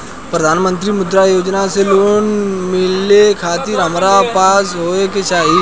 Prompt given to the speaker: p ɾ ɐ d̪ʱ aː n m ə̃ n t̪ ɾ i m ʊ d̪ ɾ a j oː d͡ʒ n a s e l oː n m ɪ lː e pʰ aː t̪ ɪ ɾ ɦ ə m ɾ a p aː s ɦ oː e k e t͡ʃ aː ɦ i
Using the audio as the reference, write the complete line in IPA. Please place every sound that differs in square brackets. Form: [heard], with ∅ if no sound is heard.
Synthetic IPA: p ɾ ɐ d̪ʱ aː n m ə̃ n t̪ ɾ i m ʊ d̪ ɾ a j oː d͡ʒ n a s e l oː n m ɪ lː e [kʰ] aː t̪ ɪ ɾ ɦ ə m ɾ a p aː s ɦ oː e k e t͡ʃ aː ɦ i